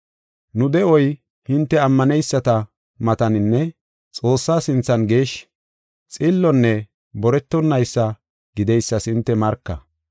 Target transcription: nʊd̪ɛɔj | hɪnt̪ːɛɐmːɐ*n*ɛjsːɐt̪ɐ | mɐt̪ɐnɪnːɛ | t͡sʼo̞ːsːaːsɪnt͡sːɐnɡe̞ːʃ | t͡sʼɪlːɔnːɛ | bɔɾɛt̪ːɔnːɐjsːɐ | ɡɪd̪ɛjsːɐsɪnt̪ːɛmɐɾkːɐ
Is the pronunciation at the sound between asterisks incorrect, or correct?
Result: correct